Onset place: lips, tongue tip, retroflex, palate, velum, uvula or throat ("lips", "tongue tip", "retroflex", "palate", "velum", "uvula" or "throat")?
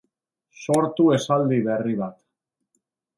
tongue tip